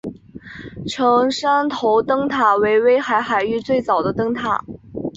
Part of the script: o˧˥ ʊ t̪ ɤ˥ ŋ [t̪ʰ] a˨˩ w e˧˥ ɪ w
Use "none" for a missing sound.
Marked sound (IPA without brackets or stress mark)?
t̪ʰ